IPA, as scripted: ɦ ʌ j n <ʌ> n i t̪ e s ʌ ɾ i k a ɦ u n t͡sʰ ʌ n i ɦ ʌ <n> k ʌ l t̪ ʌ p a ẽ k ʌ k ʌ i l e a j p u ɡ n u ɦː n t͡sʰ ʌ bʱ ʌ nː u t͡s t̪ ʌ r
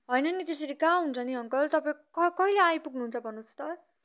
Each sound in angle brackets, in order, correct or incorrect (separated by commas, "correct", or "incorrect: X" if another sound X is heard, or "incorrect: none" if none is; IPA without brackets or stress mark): correct, incorrect: ŋ